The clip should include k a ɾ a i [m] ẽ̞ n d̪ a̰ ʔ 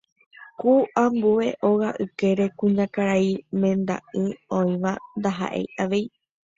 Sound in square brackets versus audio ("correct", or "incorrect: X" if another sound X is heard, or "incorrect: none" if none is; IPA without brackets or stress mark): correct